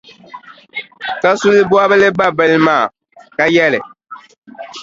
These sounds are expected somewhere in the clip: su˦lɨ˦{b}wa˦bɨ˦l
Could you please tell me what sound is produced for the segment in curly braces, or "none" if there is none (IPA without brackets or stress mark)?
b